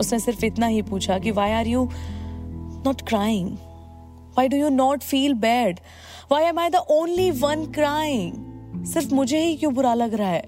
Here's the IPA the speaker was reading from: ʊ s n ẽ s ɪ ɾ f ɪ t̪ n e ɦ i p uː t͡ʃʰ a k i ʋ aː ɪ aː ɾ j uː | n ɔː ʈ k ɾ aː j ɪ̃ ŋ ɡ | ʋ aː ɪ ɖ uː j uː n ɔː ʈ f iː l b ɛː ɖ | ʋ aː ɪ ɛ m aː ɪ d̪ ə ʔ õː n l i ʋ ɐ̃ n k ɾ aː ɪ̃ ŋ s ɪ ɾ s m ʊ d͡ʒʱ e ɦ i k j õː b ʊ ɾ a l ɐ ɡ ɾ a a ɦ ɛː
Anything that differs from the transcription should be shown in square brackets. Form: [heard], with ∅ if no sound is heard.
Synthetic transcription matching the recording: ʊ s n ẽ s ɪ ɾ f ɪ t̪ n [a] ɦ i p uː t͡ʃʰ a k i ʋ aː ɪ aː ɾ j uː | n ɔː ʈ k ɾ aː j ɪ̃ ŋ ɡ | ʋ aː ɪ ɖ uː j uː n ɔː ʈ f iː l b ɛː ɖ | ʋ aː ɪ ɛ m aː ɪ d̪ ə ʔ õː n l i ʋ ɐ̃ n k ɾ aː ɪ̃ ŋ s ɪ ɾ [f] m ʊ d͡ʒʱ e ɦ i k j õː b ʊ ɾ a l ɐ ɡ ɾ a a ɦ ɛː